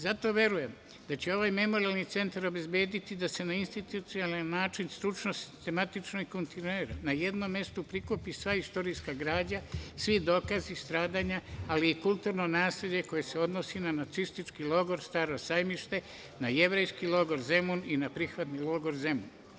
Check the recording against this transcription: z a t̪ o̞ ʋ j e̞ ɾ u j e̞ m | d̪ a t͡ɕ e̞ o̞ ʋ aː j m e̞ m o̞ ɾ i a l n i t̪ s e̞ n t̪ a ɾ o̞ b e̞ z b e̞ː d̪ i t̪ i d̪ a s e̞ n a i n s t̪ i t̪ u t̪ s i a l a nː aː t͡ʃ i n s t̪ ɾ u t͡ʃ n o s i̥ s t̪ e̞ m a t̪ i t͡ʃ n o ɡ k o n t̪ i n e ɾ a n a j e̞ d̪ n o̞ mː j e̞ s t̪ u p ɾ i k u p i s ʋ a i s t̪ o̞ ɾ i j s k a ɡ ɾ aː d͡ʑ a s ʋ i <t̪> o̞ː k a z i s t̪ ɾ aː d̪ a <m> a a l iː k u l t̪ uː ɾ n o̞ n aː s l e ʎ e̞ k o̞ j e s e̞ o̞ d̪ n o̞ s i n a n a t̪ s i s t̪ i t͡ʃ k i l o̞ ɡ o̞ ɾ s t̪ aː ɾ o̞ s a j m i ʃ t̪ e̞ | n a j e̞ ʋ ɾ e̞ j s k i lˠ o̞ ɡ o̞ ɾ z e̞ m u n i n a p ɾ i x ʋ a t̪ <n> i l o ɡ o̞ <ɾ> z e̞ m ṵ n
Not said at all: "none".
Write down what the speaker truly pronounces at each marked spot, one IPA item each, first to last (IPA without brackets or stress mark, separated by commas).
d̪, ɲ, n, ɾ